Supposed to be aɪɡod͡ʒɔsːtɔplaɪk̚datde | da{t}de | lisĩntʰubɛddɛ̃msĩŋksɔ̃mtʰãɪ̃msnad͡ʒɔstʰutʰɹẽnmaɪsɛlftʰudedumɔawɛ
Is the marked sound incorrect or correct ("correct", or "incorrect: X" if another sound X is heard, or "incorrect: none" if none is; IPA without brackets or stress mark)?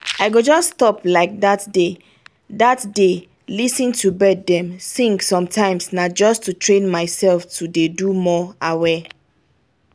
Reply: correct